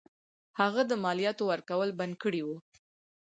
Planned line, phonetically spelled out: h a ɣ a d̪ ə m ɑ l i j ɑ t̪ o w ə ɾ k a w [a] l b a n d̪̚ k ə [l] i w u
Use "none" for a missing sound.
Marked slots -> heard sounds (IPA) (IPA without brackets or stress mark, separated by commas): ə, ɽ